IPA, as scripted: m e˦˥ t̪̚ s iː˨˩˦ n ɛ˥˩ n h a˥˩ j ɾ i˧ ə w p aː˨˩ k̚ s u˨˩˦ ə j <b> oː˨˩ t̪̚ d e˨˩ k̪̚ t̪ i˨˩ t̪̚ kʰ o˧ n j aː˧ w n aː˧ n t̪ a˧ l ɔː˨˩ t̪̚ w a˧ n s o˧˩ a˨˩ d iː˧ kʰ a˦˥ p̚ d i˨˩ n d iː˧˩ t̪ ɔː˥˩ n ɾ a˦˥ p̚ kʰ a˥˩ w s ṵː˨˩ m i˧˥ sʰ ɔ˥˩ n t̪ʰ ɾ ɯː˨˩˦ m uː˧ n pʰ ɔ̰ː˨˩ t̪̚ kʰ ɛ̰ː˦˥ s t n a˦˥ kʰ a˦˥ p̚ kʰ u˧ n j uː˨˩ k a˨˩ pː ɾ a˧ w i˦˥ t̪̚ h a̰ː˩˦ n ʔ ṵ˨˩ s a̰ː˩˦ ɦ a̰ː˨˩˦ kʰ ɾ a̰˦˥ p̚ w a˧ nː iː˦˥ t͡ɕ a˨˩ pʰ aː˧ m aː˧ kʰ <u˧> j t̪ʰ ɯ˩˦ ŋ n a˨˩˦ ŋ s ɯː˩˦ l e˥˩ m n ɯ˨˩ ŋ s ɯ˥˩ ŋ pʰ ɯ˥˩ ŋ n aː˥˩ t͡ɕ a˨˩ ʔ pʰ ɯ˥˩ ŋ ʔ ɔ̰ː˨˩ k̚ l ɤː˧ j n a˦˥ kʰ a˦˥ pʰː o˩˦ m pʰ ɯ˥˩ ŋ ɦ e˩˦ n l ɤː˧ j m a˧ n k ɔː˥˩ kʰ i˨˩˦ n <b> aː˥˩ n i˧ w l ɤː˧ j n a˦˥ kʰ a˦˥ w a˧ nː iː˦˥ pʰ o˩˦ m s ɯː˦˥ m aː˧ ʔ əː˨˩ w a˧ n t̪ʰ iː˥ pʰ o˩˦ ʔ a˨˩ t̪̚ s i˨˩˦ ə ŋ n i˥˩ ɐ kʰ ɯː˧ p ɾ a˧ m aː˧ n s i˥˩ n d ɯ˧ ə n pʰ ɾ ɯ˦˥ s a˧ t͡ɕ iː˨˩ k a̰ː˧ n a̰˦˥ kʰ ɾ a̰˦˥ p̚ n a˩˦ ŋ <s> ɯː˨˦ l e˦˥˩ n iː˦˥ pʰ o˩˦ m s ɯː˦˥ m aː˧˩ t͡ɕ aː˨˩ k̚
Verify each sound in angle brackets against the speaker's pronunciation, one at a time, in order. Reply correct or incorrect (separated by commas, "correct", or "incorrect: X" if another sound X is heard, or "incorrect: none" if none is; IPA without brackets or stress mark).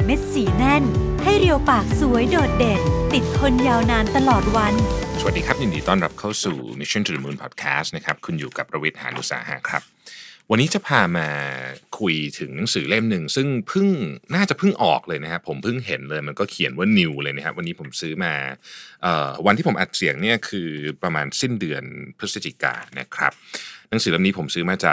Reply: incorrect: d, correct, incorrect: w, correct